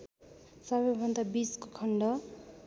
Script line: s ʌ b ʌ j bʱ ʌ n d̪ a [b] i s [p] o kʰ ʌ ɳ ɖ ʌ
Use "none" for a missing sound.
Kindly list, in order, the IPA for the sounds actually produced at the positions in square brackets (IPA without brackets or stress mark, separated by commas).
b, k